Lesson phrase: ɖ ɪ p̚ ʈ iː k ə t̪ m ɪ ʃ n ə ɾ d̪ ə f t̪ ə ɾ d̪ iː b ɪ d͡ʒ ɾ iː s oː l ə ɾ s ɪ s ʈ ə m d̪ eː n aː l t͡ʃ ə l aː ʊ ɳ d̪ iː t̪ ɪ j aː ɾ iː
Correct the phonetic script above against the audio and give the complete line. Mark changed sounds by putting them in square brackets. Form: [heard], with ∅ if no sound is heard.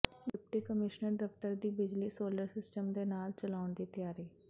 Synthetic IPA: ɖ ɪ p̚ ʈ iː k ə [∅] m ɪ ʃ n ə ɾ d̪ ə f t̪ ə ɾ d̪ iː b ɪ d͡ʒ [l] iː s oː l ə ɾ s ɪ s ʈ ə m d̪ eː n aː l t͡ʃ ə l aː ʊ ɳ d̪ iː t̪ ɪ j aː ɾ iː